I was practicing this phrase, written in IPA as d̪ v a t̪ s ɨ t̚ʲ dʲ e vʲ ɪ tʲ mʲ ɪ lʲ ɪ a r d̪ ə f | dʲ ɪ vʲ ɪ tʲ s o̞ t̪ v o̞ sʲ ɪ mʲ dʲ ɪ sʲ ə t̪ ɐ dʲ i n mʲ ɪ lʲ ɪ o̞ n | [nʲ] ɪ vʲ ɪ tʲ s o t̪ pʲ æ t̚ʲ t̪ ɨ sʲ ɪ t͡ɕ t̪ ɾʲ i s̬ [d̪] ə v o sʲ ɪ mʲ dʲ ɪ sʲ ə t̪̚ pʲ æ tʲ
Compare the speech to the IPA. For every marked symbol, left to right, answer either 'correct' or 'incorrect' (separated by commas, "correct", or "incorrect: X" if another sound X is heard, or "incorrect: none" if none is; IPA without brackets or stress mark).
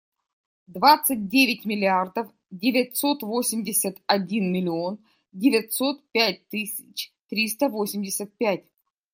incorrect: dʲ, incorrect: t̪